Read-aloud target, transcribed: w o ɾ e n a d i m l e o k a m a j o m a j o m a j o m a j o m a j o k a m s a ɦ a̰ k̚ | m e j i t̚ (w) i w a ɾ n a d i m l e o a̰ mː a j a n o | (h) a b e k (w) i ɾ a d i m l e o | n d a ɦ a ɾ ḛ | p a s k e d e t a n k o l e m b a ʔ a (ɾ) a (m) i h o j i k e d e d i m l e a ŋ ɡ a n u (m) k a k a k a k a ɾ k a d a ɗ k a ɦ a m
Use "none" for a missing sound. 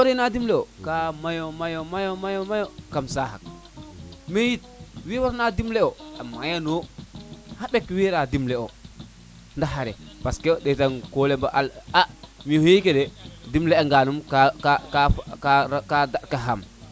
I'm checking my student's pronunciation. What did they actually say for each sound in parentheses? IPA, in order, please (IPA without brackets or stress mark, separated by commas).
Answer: w, h, w, l, m, m